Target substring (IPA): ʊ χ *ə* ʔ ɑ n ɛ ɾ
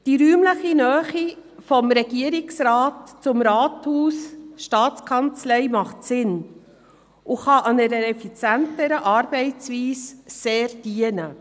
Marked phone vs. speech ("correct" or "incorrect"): incorrect